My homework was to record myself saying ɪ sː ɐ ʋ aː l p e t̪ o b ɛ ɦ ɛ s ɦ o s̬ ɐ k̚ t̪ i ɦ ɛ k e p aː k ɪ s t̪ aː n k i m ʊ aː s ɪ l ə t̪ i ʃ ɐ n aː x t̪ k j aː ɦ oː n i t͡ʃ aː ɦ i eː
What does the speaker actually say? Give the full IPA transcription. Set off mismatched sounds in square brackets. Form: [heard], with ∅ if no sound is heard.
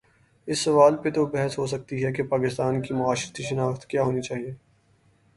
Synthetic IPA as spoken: ɪ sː ɐ ʋ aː l p e t̪ o b ɛ ɦ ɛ s ɦ o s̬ ɐ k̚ t̪ i ɦ ɛ k e p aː k ɪ s t̪ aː n k i m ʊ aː [ʃ] ɪ [ɾ] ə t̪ i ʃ ɐ n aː x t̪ k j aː ɦ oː n i t͡ʃ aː ɦ i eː